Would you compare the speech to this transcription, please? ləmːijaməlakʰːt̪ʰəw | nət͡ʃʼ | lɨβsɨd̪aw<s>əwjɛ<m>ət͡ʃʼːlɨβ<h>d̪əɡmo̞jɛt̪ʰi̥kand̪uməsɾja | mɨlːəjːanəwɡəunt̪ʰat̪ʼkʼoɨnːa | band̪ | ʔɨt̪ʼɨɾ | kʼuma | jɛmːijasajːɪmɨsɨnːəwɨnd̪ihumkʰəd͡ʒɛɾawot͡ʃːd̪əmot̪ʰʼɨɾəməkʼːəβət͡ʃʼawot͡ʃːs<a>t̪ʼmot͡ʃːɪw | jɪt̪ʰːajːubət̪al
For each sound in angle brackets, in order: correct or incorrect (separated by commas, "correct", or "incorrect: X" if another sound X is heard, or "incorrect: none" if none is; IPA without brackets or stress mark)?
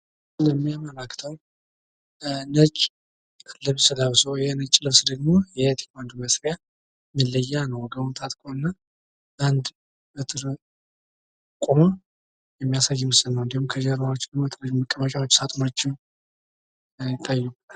correct, incorrect: n, incorrect: s, correct